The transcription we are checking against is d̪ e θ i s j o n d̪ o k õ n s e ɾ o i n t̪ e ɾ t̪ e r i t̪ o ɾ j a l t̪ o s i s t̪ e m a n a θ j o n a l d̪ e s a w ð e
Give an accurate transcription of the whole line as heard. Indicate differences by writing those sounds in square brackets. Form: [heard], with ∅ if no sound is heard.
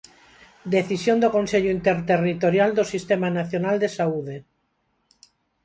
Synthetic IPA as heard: d̪ e θ i s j o n d̪ o k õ n s e [ʎ] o i n t̪ e ɾ t̪ e r i t̪ o ɾ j a l [d̪] o s i s t̪ e m a n a θ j o n a l d̪ e s a [u] ð e